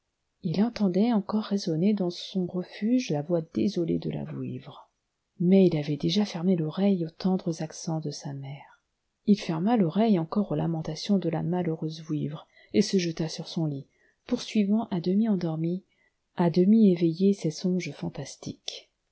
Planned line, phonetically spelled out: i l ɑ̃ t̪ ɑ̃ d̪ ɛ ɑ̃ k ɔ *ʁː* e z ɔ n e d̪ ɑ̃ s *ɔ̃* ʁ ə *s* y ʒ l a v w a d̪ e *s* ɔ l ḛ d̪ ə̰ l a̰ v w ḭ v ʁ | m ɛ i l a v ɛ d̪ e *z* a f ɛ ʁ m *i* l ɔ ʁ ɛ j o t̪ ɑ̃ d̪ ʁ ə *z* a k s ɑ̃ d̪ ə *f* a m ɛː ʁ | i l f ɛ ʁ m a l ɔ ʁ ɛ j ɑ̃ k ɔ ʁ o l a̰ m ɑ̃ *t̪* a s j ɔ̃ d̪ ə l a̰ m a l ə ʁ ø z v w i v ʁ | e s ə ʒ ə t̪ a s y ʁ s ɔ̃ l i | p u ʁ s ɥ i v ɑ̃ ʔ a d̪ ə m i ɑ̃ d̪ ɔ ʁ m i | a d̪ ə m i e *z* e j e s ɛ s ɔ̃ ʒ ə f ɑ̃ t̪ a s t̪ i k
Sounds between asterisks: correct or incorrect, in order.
correct, correct, incorrect: f, incorrect: z, incorrect: ʒ, incorrect: e, correct, incorrect: s, correct, incorrect: v

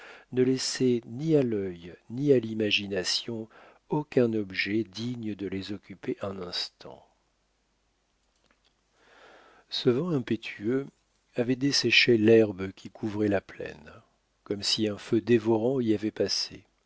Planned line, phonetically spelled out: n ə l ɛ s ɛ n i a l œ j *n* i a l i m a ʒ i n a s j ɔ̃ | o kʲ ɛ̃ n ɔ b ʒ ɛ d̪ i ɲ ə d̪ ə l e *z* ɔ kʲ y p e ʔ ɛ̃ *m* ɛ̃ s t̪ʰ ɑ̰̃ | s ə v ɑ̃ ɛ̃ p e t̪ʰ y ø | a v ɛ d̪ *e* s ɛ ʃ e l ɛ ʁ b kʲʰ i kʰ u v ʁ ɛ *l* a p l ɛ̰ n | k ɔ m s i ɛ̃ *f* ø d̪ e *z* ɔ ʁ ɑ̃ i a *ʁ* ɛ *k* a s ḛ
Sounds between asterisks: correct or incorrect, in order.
correct, correct, incorrect: n, correct, correct, correct, incorrect: v, incorrect: v, incorrect: p

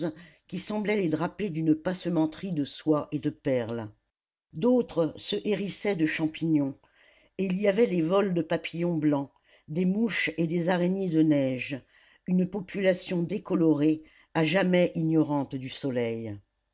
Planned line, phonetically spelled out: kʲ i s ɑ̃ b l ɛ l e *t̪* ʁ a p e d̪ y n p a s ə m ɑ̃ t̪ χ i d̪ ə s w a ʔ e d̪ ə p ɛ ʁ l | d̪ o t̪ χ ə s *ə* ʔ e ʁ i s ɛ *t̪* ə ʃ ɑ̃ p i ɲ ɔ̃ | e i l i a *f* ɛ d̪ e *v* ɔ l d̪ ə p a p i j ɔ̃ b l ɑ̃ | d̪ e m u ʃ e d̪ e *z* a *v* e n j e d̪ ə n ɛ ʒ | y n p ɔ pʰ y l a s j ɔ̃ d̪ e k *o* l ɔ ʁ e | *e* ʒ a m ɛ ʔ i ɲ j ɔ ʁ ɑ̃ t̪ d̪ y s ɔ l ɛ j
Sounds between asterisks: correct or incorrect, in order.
incorrect: d̪, correct, incorrect: d̪, incorrect: v, correct, correct, incorrect: ʁ, incorrect: ɔ, incorrect: a

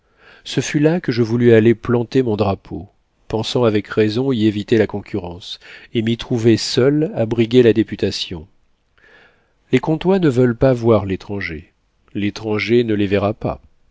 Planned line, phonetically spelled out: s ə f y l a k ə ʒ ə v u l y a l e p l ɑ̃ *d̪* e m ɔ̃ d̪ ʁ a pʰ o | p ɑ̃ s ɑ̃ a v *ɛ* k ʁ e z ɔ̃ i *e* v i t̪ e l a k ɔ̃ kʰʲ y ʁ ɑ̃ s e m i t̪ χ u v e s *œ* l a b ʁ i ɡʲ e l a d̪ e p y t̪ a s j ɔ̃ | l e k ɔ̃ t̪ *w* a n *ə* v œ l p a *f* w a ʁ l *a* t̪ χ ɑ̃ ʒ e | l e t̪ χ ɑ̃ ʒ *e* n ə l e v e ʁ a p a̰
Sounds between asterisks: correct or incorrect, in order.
incorrect: t̪, correct, correct, correct, correct, correct, incorrect: v, incorrect: e, correct

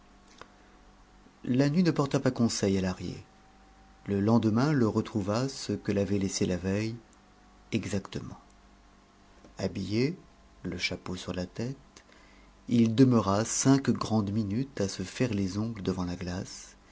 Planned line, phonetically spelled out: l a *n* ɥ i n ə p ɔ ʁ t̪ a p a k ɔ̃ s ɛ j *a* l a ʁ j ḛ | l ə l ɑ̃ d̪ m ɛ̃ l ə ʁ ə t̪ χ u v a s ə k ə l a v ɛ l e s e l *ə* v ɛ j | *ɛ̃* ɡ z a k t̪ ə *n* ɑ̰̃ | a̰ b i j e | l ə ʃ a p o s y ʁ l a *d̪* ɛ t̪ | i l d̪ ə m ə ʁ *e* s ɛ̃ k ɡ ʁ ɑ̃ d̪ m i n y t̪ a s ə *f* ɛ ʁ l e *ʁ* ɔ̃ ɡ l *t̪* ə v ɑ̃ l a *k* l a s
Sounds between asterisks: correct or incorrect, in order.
correct, correct, incorrect: a, incorrect: ɛ, incorrect: m, incorrect: t̪, incorrect: a, correct, incorrect: z, incorrect: d̪, incorrect: ɡ

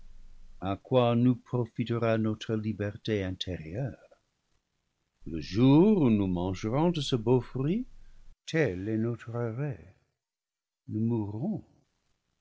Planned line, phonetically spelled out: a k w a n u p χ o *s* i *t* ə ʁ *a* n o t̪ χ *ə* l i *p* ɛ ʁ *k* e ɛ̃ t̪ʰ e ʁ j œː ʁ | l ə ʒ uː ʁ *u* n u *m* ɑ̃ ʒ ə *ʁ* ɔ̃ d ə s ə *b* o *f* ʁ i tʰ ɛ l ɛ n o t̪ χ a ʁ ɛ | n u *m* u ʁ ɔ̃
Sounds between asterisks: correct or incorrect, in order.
incorrect: f, correct, correct, correct, incorrect: b, incorrect: t, correct, correct, correct, correct, correct, correct

